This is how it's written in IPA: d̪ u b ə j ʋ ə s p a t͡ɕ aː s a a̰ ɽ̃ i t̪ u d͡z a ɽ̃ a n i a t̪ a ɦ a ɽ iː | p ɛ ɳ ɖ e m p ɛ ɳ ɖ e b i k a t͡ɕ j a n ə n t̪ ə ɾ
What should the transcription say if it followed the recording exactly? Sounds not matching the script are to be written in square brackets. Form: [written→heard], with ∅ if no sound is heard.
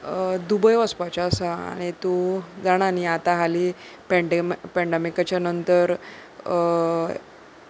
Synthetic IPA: d̪ u b ə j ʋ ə s p a t͡ɕ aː s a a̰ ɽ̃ i t̪ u d͡z a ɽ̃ a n i a t̪ a ɦ a [ɽ→l] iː | p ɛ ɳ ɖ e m p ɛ ɳ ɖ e [b→m] i k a t͡ɕ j a n ə n t̪ ə ɾ